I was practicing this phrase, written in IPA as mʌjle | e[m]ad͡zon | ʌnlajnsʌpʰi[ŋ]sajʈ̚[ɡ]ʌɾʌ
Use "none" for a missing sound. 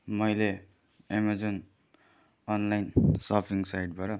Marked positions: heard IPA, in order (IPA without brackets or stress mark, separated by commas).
m, ŋ, b